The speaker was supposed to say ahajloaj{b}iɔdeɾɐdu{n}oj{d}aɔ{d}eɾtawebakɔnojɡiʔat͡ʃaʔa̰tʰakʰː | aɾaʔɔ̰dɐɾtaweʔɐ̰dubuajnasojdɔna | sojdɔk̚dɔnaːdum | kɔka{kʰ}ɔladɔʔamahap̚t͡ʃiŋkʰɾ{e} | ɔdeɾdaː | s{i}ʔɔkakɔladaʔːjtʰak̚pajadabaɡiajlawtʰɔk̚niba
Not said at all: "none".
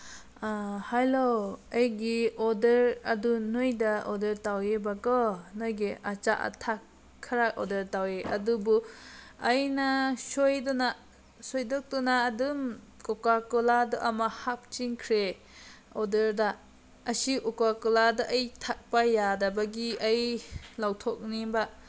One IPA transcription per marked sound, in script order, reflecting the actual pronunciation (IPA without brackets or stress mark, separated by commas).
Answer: ɡ, n, d, d, k, e, i